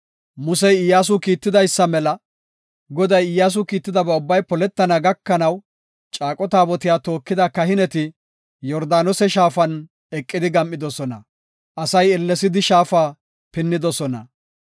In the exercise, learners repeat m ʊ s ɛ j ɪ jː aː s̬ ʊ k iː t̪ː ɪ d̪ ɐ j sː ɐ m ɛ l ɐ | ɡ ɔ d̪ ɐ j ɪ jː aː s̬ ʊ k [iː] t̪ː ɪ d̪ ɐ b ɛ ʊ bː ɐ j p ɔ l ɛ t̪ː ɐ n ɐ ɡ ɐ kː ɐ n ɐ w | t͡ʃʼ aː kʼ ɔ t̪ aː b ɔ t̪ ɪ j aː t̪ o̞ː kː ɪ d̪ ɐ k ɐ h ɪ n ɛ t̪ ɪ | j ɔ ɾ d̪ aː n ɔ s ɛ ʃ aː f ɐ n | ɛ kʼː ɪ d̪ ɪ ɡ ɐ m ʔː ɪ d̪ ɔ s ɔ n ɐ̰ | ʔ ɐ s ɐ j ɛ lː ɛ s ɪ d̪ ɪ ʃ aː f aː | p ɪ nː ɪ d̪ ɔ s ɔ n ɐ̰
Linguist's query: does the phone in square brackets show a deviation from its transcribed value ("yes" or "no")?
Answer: no